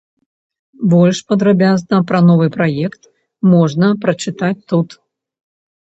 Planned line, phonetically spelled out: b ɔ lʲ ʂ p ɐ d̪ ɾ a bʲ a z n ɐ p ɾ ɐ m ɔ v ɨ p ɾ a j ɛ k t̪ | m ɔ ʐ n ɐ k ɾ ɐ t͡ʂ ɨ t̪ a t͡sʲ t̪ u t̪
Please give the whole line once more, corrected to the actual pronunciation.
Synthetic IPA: b ɔ lʲ ʂ p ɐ d̪ ɾ a bʲ a z n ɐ p ɾ ɐ n ɔ v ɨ p ɾ a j ɛ k t̪ | m ɔ ʐ n ɐ p ɾ ɐ t͡ʂ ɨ t̪ a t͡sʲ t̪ u t̪